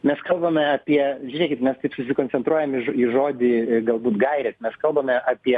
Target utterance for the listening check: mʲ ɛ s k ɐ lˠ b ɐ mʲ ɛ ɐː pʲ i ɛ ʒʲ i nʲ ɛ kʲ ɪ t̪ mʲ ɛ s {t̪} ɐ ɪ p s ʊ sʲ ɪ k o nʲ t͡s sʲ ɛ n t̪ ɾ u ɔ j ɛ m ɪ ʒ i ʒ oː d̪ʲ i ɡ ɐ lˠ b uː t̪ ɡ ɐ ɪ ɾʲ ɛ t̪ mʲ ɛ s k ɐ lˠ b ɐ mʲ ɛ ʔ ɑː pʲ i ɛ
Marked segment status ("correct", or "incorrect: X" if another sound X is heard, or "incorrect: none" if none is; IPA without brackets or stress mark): correct